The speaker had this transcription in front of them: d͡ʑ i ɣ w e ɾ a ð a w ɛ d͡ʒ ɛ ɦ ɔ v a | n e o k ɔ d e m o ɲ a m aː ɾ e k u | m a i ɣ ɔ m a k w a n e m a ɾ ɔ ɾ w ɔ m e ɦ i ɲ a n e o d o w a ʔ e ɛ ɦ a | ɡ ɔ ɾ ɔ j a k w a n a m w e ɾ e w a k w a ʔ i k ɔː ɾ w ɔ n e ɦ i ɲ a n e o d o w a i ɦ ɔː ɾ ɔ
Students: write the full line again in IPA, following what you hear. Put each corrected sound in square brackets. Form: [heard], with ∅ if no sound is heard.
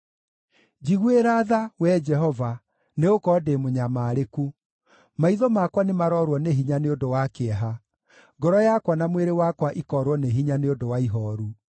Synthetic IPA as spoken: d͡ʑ i ɣ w e ɾ a ð a w ɛ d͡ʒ ɛ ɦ ɔ v a | n e o k ɔ d e m o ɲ a m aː ɾ e k u | m a i [ð] ɔ m a k w a n e m a ɾ ɔ ɾ w ɔ [n] e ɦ i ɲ a n e o d o w a [k] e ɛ ɦ a | ɡ ɔ ɾ ɔ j a k w a n a m w e ɾ e w a k w a ʔ i k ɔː ɾ w ɔ n e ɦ i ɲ a n e o d o w a i ɦ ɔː ɾ [u]